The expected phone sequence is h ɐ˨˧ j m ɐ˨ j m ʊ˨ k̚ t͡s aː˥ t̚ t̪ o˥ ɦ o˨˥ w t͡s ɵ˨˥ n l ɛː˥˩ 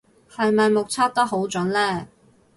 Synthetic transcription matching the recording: h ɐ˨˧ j m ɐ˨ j m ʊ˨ k̚ t͡sʰ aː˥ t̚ t̪ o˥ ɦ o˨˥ w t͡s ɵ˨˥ n l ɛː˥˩